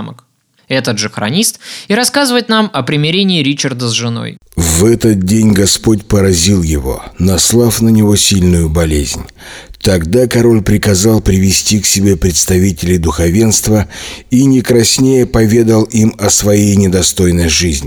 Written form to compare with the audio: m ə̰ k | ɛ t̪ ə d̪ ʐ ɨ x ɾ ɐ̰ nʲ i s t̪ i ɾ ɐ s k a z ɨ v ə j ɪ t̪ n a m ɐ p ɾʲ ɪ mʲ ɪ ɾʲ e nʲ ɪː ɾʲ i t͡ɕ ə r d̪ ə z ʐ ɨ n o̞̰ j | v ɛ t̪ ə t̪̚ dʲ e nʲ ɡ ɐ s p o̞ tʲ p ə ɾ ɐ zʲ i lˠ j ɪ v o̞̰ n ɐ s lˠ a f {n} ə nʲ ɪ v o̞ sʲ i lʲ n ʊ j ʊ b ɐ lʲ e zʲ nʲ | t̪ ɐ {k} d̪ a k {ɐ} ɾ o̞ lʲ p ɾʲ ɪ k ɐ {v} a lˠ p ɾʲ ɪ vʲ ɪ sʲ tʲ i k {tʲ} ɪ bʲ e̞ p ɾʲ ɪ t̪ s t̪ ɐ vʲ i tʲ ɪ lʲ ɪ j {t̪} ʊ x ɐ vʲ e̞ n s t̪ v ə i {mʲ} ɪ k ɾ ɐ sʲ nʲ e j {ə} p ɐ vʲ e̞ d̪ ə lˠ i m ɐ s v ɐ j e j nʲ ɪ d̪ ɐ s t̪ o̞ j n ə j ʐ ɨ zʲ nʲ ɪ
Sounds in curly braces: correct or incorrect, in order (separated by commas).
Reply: correct, incorrect, correct, incorrect, incorrect, incorrect, incorrect, correct